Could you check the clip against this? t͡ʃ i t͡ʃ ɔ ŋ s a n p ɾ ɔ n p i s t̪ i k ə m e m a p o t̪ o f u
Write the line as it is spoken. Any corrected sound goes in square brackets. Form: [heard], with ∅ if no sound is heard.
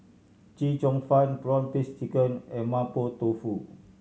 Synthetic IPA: t͡ʃ i t͡ʃ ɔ ŋ [f] a n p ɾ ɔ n p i s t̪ i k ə [n] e m a p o t̪ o f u